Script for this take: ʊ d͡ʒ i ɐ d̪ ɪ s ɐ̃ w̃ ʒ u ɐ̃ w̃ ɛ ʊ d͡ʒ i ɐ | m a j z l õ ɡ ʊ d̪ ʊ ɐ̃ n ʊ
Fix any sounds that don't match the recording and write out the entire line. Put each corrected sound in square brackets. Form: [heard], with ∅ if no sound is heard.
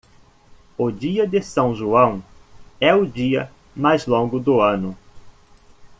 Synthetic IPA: ʊ d͡ʒ i ɐ d̪ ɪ s ɐ̃ w̃ ʒ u ɐ̃ w̃ ɛ ʊ d͡ʒ i ɐ | m a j z l õ ɡ ʊ d̪ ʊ ɐ̃ n ʊ